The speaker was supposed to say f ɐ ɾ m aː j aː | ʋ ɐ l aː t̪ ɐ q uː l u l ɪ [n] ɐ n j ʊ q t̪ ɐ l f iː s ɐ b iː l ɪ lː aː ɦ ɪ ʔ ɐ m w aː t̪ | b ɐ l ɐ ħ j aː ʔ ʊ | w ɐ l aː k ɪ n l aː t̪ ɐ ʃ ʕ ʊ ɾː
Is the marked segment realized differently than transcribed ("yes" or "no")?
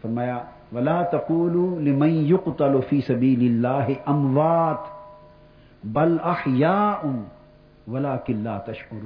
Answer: yes